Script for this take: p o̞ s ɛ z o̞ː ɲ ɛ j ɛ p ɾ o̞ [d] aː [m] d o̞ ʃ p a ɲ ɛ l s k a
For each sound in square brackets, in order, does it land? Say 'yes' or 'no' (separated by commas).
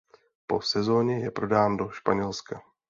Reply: yes, no